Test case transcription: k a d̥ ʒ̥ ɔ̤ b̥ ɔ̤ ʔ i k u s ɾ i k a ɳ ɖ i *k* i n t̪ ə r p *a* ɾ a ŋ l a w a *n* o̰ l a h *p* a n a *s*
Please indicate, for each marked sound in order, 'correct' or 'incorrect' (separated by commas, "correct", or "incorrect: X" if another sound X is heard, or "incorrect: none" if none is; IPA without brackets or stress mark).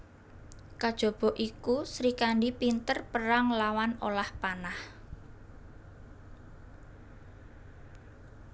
incorrect: p, incorrect: ə, correct, correct, incorrect: h